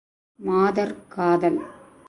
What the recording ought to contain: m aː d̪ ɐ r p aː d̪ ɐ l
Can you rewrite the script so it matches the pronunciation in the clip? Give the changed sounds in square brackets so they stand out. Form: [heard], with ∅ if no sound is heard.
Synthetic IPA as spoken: m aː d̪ ɐ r [k] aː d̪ ɐ l